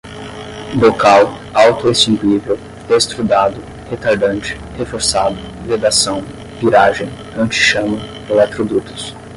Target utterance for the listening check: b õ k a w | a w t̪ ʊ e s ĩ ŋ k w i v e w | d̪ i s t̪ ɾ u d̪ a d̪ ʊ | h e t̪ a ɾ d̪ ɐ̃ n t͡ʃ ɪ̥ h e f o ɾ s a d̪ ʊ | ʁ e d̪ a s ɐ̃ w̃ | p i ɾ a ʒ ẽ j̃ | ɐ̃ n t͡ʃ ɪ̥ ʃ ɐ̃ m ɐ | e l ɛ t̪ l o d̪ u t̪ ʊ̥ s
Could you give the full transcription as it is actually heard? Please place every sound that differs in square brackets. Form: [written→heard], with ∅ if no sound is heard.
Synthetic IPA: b [õ→o] k a w | a w t̪ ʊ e s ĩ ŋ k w i v e w | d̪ [i→e] s t̪ ɾ u d̪ a d̪ ʊ | h e t̪ a ɾ d̪ ɐ̃ n t͡ʃ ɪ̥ h e f o ɾ s a d̪ ʊ | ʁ e d̪ a s ɐ̃ w̃ | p i ɾ a ʒ ẽ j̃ | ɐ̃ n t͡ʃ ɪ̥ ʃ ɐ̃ m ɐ | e l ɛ t̪ [l→ɾ] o d̪ u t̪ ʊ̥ s